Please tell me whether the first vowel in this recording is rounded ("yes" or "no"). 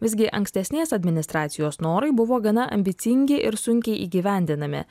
no